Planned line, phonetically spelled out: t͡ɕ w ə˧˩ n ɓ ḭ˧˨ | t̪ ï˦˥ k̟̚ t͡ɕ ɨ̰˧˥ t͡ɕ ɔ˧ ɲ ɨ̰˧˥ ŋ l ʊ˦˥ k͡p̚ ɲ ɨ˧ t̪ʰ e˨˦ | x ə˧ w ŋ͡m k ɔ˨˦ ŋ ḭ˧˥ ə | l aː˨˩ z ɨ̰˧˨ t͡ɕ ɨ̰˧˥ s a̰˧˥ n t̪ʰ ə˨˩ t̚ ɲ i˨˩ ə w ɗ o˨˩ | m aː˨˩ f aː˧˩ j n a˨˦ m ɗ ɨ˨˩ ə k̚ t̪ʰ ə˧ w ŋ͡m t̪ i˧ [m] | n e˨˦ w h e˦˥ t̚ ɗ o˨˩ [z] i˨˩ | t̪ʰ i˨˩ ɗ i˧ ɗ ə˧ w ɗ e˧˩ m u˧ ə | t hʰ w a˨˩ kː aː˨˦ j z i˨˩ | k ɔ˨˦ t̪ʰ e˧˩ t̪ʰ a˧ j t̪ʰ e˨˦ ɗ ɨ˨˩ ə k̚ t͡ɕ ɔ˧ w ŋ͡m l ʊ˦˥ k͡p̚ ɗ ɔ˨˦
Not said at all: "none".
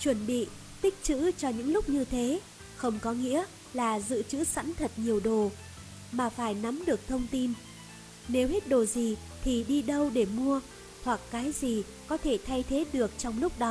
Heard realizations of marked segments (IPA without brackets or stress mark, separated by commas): n, z